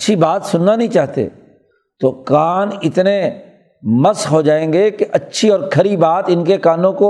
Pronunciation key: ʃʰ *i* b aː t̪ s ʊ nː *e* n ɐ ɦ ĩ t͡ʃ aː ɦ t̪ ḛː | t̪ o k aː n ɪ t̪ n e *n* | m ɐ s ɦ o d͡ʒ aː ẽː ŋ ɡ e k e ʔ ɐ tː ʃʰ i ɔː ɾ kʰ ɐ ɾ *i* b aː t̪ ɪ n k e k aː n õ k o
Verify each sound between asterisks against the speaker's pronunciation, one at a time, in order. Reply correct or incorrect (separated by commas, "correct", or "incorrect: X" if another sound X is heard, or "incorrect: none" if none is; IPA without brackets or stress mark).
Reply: correct, incorrect: a, incorrect: none, correct